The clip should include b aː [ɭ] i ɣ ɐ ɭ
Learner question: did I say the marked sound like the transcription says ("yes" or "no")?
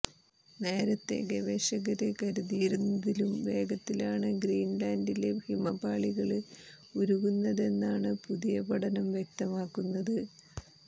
yes